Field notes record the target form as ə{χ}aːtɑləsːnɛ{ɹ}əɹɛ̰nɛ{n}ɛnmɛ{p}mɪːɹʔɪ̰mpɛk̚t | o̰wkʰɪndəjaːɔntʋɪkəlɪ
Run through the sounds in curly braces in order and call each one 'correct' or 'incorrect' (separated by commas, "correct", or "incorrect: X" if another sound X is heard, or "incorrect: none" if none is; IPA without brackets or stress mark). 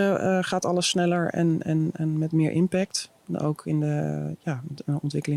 correct, incorrect: l, correct, incorrect: t